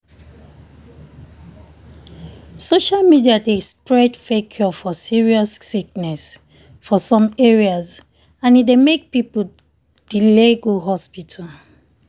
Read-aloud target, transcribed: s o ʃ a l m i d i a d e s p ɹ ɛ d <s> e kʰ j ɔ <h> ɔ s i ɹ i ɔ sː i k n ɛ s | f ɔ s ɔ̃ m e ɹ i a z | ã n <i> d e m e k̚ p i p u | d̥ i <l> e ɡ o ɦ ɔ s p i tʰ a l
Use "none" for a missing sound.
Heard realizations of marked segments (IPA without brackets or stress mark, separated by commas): f, f, i, l